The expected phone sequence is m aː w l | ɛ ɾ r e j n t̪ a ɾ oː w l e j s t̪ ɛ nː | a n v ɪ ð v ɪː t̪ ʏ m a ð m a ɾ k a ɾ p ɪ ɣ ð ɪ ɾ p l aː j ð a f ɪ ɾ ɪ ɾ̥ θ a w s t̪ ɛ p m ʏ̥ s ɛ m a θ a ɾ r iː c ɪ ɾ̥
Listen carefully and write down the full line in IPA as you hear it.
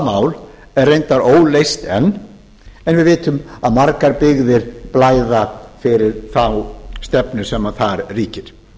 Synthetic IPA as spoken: m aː w l | ɛ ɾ r e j n t̪ a ɾ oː w l e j s t̪ ɛ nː | ɛ n v ɪ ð v ɪː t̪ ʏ m a ð m a ɾ k a ɾ p ɪ ɣ ð ɪ ɾ p l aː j ð a f ɪ ɾ ɪ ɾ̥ θ a w s t̪ ɛ p n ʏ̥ s ɛ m a θ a ɾ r iː c ɪ ɾ̥

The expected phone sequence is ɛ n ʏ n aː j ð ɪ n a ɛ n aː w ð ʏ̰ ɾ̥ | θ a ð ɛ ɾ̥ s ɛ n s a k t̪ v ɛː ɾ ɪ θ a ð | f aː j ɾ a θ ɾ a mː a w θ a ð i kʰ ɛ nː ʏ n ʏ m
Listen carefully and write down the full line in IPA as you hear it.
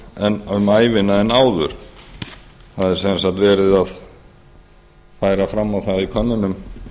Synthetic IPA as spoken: ɛ n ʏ m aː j v ɪ n a ɛ n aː w ð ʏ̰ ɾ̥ | θ a ð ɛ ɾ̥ s ɛ n s a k t̪ v ɛː ɾ ɪ ð a ð | f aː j ɾ a f ɾ a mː a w θ a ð i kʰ œ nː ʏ n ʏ m

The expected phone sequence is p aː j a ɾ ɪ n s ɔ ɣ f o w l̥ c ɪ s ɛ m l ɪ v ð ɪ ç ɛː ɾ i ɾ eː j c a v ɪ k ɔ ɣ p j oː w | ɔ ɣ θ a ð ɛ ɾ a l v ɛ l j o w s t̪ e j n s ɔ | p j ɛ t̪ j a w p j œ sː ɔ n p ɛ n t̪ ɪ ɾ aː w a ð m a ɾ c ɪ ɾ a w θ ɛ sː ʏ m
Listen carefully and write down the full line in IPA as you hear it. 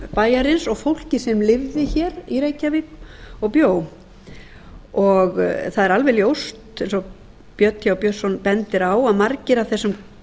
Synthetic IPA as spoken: p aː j a ɾ ɪ n s ɔ ɣ f o w l̥ c ɪ s ɛ m l ɪ v ð ɪ ç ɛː ɾ i ɾ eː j c a v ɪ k ɔ ɣ p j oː w | ɔ ɣ θ a ð ɛ ɾ a l v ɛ l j o w s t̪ e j n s ɔ | p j œ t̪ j a w p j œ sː ɔ n p ɛ n t̪ ɪ ɾ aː w a ð m a ɾ c ɪ ɾ a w θ ɛ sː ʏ m

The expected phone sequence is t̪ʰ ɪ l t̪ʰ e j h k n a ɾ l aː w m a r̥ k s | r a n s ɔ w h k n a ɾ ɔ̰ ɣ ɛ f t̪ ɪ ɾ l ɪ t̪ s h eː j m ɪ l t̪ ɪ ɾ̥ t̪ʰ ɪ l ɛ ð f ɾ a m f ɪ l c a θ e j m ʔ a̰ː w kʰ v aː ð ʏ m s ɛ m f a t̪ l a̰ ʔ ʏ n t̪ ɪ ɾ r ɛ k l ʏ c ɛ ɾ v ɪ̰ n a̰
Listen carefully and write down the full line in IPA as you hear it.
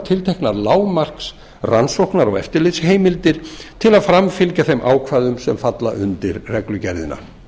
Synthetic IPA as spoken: t̪ʰ ɪ l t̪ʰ e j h k n a ɾ l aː w m a r̥ k s | r a n s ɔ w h k n a ɾ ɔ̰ ɣ ɛ f t̪ ɪ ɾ l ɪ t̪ s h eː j m ɪ l t̪ ɪ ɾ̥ t̪ʰ ɪ l a ð f ɾ a m f ɪ l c a θ e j m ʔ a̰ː w kʰ v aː ð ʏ m s ɛ m f a t̪ l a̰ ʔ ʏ n t̪ ɪ ɾ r ɛ k l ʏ c ɛ ɾ ð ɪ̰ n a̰

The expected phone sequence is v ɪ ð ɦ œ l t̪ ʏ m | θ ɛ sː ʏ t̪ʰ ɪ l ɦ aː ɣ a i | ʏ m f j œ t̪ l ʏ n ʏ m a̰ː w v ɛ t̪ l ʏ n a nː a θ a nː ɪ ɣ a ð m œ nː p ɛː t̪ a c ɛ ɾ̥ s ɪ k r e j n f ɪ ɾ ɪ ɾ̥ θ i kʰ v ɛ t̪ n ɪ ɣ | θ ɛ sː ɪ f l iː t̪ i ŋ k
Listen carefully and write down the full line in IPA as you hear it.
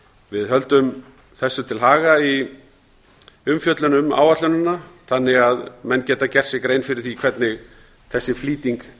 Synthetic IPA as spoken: v ɪ ð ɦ œ l t̪ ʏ m | θ ɛ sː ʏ t̪ʰ ɪ l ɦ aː ɣ a i | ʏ m f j œ t̪ l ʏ n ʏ m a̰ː w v a t̪ l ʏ n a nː a θ a nː ɪ ɣ a ð m ɛ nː c ɛː t̪ a c ɛ r̥ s ɪ k ɾ e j n f ɪ ɾ ɪ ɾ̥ θ i kʰ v ɛ t̪ n ɪ ɣ | θ ɛ sː ɪ f l iː t̪ i ŋ k

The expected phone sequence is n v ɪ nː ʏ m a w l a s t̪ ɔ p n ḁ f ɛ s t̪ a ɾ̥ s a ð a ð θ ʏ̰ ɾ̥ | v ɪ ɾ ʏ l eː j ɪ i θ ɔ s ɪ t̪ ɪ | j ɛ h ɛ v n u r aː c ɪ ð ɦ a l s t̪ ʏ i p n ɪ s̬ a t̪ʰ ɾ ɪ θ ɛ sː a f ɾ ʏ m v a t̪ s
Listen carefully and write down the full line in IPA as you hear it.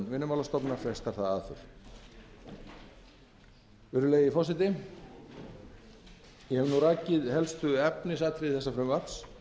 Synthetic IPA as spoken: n v ɪ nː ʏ m a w l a s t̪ ɔ p n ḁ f ɛ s t̪ a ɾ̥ θ a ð a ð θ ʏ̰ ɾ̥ | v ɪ ɾ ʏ l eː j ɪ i f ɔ s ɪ t̪ ɪ | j ɛ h ɛ v n u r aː c ɪ ð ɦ ɛ l s t̪ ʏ ɛ p n ɪ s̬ a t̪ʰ ɾ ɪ θ ɛ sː a f ɾ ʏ m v a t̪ s

